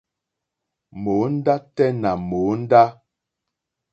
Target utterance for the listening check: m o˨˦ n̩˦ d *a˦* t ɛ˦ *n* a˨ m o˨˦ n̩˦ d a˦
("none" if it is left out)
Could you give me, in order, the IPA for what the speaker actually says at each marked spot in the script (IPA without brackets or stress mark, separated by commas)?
a˦, n